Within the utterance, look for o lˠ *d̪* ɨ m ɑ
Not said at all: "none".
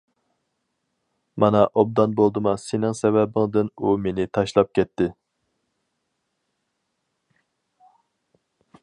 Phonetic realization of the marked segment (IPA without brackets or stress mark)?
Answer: d̪